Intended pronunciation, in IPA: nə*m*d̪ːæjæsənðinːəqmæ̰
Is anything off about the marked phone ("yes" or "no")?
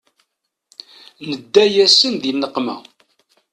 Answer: yes